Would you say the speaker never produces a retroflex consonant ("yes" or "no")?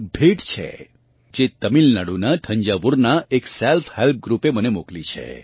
no